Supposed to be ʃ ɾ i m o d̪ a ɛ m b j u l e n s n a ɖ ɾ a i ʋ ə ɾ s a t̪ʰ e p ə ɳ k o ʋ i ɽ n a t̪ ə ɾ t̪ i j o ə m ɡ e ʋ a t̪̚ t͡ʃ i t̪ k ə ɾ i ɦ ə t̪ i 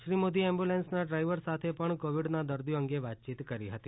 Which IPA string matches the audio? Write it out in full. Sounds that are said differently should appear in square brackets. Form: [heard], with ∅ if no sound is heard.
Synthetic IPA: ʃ ɾ i m o d̪ [i] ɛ m b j u l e n s n a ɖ ɾ a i ʋ ə ɾ s a t̪ʰ e p ə ɳ k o ʋ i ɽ n a [d̪] ə ɾ [d̪] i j o ə [ŋ] ɡ e ʋ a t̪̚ t͡ʃ i t̪ k ə ɾ i ɦ ə t̪ i